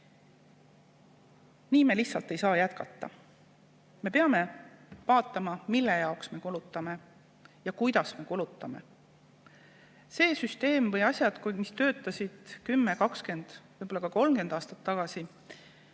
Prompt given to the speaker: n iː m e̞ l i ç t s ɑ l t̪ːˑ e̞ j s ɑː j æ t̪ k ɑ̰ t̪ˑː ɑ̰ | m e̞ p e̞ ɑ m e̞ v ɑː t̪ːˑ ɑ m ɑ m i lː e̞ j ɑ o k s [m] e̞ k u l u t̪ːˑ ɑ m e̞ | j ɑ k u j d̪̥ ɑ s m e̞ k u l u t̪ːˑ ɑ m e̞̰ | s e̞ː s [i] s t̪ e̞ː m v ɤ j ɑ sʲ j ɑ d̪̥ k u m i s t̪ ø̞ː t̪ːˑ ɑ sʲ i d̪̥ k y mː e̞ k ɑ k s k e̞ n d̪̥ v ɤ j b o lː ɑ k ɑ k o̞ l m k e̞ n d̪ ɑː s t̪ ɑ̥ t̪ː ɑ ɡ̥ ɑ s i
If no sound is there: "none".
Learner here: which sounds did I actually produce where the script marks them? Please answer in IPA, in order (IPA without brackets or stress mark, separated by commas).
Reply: m, y